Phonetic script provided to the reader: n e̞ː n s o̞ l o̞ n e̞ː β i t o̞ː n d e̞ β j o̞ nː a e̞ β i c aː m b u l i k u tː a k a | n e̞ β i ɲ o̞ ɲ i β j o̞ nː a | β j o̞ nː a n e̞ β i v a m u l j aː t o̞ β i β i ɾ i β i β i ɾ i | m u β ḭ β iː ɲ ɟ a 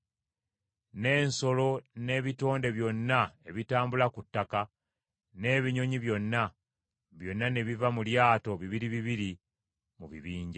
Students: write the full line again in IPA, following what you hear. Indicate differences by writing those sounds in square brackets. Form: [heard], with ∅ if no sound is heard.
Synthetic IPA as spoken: n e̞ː n s o̞ l o̞ n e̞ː β i t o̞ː n d e̞ β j o̞ nː a e̞ β i [t] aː m b u l [a] k u tː a k a | n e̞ β i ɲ o̞ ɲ i β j o̞ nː a | β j o̞ nː a n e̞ β i v a m u l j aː t o̞ β i β i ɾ i β i β i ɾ i | m u β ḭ β iː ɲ ɟ a